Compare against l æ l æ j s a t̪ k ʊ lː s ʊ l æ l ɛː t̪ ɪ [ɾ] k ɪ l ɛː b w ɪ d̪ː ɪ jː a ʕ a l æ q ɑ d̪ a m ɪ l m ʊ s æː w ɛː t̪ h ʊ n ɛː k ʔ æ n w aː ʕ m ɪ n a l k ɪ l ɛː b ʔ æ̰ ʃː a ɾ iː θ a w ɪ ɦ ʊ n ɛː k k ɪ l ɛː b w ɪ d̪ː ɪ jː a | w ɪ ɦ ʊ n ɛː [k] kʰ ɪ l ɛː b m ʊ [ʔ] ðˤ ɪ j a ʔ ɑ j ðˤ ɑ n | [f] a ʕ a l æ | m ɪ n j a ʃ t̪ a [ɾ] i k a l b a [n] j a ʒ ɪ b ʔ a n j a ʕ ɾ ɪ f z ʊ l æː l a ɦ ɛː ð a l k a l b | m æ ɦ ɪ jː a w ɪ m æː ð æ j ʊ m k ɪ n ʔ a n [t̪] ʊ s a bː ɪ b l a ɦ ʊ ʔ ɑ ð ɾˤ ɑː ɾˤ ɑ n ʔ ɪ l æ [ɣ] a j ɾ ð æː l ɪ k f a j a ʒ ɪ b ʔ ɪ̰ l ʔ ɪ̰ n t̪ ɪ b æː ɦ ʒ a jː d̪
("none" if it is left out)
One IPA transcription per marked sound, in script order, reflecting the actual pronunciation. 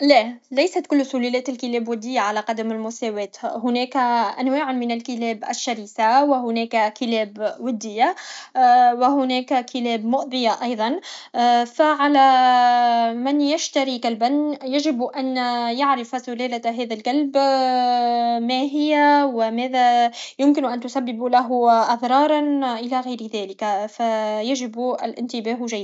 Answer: l, k, ʔ, f, ɾ, n, t̪, ɣ

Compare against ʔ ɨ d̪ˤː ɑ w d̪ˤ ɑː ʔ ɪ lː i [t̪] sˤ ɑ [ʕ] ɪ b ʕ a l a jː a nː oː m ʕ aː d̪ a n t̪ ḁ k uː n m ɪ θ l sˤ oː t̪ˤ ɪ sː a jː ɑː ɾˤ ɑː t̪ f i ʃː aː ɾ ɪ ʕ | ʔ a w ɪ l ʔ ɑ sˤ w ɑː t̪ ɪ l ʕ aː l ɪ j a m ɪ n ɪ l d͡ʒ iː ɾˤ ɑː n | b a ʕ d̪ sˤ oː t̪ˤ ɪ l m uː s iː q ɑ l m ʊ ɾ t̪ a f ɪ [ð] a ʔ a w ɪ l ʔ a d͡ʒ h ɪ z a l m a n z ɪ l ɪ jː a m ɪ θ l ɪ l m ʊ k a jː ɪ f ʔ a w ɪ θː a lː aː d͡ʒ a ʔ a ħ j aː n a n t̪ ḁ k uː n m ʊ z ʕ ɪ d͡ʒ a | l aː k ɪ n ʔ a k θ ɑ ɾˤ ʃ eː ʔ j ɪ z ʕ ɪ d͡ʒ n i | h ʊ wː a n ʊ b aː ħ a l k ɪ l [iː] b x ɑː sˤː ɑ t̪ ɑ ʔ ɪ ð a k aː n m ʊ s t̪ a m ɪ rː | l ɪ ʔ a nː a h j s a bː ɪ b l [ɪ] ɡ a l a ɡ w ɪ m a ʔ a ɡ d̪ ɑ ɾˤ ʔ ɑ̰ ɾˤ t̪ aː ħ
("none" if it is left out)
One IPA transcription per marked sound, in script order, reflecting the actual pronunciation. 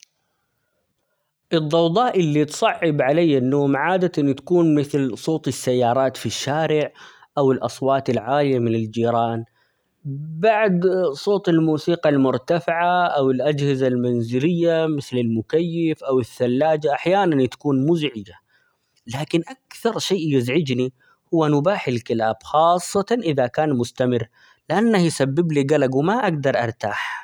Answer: t̪, ʕː, ʕ, aː, i

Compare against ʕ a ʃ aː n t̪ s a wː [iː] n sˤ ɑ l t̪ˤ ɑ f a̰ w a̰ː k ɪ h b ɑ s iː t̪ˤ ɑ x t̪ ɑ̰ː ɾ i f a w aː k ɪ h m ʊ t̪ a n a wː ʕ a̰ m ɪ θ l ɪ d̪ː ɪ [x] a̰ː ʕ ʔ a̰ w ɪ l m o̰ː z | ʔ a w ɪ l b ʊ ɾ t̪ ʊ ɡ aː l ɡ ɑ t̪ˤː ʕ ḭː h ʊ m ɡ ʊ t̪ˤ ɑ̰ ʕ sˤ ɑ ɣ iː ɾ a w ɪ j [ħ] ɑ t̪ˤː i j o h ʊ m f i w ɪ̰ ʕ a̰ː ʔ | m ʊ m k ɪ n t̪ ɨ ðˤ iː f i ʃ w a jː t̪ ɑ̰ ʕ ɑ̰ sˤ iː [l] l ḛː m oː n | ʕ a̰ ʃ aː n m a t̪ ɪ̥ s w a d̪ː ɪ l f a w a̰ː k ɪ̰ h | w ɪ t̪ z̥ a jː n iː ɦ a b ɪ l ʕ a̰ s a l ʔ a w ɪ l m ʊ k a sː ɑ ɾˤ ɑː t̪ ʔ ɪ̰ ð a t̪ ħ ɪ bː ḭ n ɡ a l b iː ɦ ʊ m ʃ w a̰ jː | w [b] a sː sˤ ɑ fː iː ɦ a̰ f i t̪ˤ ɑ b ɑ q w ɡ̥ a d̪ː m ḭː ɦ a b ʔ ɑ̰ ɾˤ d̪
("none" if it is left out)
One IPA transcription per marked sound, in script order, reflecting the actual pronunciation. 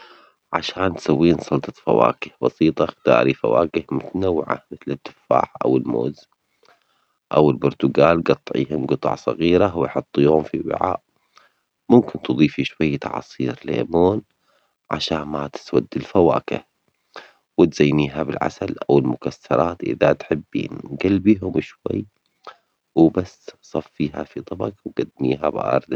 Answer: iː, f, ħ, ɾ, b

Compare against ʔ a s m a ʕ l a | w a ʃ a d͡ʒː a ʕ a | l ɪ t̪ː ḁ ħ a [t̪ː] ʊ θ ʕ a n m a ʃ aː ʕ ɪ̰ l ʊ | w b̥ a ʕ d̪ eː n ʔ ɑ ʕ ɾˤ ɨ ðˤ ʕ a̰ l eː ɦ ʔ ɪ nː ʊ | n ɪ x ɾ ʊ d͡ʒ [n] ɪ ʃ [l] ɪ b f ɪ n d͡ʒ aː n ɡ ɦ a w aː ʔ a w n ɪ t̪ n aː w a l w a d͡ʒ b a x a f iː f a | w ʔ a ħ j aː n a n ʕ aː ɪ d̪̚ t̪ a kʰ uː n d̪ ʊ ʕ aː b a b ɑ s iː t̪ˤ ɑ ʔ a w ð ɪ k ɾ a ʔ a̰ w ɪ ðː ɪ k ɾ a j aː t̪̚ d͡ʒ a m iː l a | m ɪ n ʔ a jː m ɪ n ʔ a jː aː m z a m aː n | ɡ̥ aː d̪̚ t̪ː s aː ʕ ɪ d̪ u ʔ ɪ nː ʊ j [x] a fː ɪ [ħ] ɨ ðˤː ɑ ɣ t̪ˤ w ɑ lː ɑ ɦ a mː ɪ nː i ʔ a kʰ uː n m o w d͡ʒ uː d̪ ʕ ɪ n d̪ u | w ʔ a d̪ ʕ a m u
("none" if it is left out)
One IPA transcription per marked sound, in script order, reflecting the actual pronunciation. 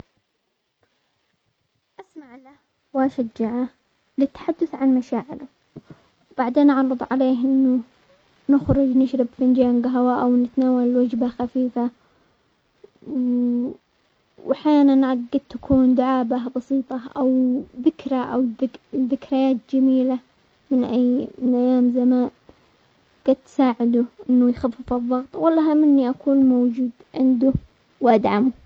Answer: d̪ː, n, ɾ, x, f

